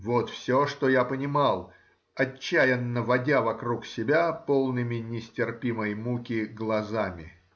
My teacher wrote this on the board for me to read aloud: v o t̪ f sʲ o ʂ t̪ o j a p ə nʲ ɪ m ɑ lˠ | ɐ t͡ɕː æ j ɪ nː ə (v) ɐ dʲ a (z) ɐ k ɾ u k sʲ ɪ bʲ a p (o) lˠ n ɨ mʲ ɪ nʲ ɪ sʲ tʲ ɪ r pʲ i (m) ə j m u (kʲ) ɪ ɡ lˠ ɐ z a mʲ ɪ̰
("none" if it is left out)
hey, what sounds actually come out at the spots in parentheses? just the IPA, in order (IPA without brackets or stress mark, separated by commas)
v, v, o, m, kʲ